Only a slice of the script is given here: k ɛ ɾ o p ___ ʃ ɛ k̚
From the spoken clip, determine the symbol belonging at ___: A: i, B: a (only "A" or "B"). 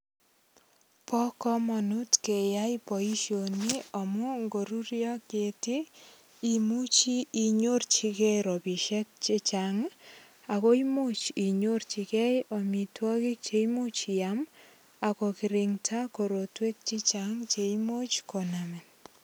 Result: A